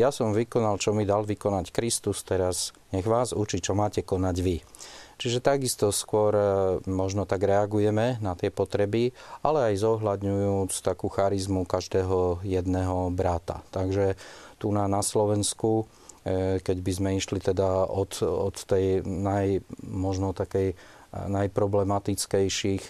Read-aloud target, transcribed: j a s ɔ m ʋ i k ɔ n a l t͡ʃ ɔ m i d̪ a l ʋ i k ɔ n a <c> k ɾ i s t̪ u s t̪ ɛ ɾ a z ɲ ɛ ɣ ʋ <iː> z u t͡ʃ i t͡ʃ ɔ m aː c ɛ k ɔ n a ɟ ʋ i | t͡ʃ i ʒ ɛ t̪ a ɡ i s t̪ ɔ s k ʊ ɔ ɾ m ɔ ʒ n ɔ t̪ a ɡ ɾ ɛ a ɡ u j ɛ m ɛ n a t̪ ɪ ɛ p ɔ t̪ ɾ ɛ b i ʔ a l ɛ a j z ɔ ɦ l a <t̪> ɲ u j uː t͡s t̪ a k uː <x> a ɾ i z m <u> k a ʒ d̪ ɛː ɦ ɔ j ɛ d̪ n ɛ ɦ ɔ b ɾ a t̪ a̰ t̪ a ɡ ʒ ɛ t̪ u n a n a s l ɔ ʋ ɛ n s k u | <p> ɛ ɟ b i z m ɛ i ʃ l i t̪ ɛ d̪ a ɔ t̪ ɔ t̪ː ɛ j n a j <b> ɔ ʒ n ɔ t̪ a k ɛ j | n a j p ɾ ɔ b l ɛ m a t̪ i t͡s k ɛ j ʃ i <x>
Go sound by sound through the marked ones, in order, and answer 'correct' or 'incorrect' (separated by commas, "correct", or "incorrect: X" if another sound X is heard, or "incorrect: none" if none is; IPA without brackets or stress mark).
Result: correct, incorrect: aː, incorrect: d̪, correct, correct, incorrect: k, incorrect: m, correct